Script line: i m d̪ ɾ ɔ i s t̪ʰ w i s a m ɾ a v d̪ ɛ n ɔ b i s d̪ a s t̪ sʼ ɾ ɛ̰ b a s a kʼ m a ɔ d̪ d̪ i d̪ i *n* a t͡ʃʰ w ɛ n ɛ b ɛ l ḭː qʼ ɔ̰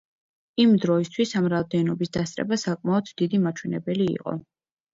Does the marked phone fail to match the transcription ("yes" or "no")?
yes